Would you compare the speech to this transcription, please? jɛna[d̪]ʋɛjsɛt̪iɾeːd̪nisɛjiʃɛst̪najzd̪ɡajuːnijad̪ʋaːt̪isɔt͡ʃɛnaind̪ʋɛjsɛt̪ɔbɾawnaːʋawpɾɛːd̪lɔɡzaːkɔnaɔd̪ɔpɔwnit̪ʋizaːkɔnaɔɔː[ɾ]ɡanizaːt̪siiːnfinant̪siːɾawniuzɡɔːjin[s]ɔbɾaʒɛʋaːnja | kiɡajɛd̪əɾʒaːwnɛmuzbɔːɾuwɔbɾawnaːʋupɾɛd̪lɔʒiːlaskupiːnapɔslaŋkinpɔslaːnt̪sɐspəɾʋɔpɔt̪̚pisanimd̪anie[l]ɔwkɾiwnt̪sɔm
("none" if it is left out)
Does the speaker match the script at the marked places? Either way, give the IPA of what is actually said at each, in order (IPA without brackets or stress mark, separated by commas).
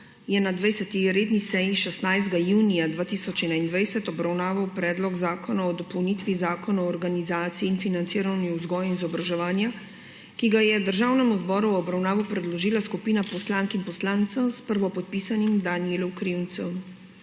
d̪, ɾ, z, l